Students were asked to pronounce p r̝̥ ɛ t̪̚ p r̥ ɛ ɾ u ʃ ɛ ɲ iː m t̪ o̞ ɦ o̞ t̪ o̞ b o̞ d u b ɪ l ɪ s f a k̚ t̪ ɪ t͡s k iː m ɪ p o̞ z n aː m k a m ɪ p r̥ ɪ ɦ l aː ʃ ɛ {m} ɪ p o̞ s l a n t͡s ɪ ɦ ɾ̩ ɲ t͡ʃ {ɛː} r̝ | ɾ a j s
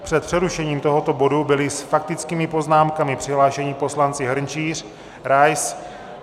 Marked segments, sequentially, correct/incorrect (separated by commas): incorrect, incorrect